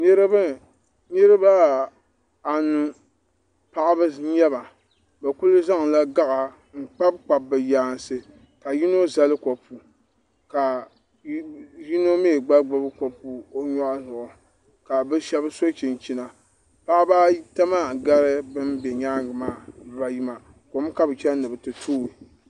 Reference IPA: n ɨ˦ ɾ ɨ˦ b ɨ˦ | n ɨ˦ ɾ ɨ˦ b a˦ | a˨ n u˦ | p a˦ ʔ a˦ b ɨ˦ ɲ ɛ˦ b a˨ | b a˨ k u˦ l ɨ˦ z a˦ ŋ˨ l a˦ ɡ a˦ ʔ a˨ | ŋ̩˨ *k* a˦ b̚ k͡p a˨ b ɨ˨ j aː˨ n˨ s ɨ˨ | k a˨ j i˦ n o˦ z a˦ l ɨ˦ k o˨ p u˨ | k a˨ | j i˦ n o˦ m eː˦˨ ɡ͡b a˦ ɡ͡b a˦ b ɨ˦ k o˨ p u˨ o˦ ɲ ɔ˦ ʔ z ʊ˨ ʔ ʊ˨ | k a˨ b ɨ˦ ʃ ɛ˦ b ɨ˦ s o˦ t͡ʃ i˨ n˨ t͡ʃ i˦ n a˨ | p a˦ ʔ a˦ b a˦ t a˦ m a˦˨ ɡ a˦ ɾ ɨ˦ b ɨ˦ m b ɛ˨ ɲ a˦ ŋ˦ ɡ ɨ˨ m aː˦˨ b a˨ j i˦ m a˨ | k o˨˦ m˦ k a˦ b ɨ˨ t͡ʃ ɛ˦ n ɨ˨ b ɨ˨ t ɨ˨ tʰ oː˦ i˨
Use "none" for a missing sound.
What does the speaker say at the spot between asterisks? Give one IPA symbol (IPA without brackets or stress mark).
k͡p